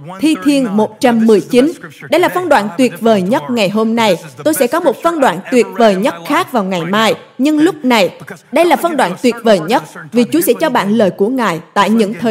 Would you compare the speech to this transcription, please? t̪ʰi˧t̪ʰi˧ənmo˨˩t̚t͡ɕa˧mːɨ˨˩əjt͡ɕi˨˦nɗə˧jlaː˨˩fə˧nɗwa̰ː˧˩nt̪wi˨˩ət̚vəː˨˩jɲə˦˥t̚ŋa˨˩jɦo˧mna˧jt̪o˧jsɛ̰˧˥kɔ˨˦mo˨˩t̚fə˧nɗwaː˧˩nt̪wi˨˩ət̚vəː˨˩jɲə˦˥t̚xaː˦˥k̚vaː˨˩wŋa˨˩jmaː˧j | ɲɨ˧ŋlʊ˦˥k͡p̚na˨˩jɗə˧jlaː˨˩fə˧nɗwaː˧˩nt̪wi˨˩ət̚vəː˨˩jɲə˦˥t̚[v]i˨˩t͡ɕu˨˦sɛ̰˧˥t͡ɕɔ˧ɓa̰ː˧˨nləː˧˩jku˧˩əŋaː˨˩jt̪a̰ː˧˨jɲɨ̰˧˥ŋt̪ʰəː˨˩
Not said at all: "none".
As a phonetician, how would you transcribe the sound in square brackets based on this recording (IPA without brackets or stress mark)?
v